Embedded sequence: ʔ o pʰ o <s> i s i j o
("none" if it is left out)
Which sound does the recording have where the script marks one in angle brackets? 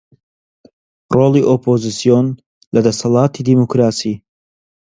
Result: z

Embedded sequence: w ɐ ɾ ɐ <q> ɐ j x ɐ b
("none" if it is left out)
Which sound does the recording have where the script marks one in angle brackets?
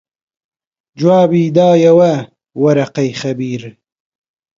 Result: q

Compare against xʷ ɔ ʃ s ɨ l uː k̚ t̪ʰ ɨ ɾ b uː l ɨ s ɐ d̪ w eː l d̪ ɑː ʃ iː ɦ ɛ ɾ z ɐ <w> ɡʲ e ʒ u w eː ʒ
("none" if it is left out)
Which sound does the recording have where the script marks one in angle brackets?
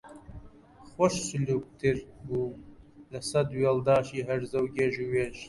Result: w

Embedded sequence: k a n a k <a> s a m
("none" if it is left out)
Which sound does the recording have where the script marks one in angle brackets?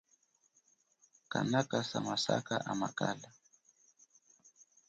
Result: a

